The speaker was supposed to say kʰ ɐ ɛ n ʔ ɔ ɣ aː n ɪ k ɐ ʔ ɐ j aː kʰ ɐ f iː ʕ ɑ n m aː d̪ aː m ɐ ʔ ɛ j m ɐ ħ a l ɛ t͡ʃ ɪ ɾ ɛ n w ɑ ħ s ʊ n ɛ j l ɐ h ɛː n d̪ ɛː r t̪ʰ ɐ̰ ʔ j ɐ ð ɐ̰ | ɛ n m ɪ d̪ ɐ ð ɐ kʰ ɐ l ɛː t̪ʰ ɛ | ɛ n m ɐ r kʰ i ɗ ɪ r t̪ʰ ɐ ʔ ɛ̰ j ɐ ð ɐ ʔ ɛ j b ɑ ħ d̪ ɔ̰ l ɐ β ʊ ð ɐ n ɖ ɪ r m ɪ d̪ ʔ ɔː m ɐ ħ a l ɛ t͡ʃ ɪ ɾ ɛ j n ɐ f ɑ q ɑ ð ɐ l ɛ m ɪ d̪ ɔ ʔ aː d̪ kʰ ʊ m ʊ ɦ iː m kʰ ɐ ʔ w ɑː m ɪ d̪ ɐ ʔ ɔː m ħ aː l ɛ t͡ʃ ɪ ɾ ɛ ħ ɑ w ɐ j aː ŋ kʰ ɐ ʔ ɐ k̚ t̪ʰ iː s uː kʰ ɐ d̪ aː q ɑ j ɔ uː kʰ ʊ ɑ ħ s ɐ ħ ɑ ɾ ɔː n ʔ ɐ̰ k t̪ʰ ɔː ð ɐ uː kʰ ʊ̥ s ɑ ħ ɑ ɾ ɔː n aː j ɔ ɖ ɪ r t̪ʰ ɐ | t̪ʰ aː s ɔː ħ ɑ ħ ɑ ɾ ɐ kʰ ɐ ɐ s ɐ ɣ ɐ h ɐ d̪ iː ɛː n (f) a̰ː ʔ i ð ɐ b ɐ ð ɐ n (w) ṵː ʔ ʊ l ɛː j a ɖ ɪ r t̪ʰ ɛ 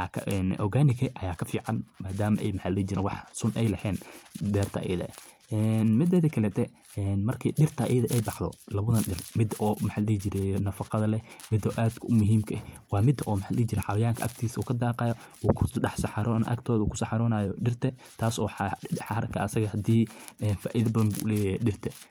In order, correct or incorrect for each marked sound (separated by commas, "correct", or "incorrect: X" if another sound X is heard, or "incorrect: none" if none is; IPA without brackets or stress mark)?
correct, incorrect: b